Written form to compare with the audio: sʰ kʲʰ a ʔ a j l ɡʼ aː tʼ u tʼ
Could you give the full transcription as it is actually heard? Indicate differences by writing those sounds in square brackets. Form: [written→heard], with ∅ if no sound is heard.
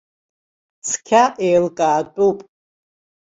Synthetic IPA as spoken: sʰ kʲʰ a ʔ [a→e] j l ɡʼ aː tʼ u [tʼ→pʼ]